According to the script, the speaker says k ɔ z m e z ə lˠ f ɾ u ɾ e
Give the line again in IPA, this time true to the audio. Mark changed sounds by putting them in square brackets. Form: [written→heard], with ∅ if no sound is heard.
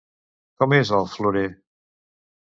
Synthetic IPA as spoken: k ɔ [z→∅] m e z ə lˠ f [ɾ→l] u ɾ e